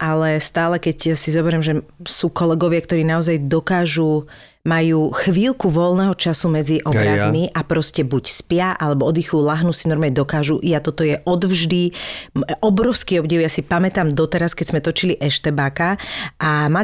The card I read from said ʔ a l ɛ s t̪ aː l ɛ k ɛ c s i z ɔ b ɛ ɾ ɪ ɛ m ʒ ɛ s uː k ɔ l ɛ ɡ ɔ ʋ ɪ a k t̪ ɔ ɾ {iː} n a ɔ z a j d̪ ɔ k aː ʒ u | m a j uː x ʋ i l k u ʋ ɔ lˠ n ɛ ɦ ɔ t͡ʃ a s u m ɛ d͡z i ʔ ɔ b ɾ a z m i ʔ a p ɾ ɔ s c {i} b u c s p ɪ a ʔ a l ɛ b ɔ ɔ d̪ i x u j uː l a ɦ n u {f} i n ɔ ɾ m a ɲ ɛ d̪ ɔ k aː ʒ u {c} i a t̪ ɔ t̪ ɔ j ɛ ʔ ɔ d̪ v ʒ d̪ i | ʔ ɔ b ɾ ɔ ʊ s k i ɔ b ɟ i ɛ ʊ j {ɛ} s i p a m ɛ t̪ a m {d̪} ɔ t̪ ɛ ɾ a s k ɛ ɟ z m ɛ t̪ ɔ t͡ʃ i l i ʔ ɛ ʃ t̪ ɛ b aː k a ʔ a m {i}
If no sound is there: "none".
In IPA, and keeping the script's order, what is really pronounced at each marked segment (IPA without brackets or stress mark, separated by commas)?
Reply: iː, ɛ, s, ʔ, a, d̪, a